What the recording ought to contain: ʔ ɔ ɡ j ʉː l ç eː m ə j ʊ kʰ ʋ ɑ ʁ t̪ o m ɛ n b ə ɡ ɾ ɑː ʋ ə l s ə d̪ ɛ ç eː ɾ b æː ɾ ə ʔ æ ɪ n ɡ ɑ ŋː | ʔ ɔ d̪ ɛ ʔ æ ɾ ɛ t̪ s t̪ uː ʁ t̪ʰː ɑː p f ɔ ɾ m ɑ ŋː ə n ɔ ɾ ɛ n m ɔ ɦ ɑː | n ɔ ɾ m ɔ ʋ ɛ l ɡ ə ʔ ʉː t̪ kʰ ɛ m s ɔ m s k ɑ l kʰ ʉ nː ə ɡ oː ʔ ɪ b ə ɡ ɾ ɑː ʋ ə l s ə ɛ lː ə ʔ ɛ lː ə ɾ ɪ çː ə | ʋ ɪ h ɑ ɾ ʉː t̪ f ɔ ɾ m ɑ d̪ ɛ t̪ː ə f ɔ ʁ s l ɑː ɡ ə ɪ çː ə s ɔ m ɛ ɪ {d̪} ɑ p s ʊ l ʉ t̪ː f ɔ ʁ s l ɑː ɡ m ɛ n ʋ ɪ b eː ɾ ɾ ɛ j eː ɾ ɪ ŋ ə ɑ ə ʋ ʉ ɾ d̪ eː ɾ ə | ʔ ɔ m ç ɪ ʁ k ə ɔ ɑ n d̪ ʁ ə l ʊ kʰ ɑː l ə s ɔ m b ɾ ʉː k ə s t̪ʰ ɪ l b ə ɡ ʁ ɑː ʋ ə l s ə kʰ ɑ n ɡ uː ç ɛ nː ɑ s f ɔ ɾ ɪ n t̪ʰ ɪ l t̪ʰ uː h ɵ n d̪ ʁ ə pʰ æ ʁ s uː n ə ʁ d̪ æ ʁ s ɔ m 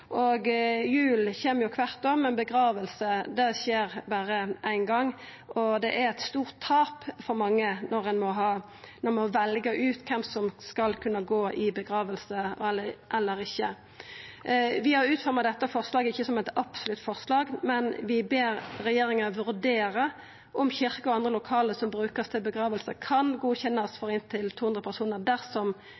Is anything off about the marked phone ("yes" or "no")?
yes